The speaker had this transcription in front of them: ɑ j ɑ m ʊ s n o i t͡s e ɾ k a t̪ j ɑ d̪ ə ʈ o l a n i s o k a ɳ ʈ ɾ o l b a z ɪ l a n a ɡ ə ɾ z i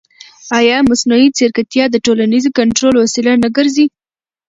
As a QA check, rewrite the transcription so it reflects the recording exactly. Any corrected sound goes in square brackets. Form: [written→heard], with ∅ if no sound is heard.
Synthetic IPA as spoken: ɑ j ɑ m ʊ s n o i t͡s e ɾ k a t̪ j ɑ d̪ ə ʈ o l a n i [s→z] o k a ɳ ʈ ɾ o l [b→w] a [z→s] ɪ l a n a ɡ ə ɾ z i